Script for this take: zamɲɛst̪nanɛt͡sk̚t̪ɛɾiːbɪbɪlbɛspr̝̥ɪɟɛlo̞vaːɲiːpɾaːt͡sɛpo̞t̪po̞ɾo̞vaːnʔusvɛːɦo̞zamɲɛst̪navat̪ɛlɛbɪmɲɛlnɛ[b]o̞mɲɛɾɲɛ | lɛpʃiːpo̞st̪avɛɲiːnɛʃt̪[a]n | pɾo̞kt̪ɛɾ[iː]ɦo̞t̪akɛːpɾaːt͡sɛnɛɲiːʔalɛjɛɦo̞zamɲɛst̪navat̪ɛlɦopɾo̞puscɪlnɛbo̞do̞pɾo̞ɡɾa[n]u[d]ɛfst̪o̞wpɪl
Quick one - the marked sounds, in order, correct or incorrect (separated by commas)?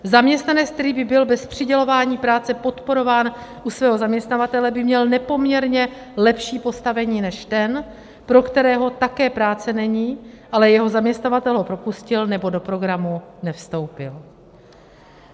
incorrect, incorrect, incorrect, incorrect, incorrect